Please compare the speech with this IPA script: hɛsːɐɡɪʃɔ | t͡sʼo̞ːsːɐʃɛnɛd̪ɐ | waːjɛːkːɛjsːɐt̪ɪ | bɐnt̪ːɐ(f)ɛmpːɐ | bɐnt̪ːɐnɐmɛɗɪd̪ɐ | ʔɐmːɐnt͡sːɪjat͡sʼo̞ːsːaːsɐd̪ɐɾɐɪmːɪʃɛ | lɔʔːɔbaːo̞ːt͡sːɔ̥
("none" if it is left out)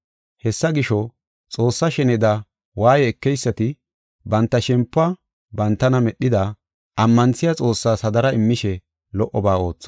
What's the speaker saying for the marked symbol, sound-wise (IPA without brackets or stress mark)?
ʃ